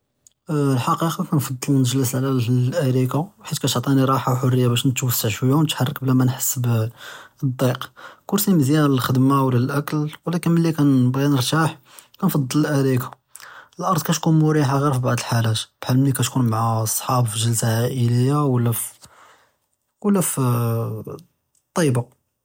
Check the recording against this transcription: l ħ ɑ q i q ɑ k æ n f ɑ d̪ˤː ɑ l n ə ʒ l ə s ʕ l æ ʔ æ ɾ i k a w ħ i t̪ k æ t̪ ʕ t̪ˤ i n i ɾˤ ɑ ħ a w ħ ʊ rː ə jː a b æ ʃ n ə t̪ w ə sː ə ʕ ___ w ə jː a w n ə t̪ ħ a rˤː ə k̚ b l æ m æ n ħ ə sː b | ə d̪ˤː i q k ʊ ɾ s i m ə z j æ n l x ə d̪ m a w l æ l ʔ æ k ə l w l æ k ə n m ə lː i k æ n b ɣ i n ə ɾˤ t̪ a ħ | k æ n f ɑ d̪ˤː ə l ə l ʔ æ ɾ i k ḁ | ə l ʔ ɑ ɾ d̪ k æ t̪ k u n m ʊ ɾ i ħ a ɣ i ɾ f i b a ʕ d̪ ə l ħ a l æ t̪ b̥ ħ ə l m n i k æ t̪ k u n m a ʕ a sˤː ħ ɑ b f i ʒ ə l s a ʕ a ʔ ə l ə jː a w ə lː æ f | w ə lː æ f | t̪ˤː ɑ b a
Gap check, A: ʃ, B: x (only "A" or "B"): A